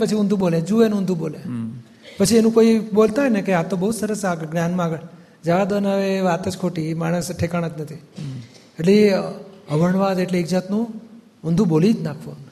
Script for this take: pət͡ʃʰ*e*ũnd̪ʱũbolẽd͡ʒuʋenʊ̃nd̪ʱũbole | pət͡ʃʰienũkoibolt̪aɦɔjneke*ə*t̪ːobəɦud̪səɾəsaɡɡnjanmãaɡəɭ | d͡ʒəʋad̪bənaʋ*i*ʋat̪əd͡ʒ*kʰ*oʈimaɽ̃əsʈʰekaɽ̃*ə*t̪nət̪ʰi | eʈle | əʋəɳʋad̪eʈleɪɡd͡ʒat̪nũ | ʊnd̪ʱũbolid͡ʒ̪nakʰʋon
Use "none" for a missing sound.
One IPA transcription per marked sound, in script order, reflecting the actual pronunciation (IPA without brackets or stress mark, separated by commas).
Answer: i, a, e, kʰ, ə